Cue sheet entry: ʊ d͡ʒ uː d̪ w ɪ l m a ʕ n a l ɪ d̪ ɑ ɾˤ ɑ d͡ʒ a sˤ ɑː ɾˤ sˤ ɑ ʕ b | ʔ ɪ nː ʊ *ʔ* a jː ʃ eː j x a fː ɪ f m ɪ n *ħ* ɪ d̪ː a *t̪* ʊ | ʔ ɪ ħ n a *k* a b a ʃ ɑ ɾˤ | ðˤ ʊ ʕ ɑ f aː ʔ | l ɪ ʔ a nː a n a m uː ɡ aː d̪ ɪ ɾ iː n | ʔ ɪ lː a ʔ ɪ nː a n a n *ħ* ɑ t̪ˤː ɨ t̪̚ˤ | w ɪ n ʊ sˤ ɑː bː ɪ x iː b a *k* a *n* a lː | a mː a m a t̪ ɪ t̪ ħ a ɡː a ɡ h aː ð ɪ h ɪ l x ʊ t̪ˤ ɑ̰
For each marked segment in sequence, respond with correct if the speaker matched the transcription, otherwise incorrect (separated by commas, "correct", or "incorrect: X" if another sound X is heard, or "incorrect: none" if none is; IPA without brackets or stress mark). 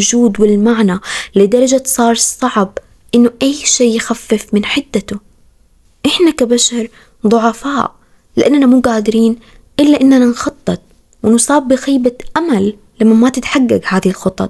correct, correct, correct, correct, incorrect: x, incorrect: ʔ, incorrect: m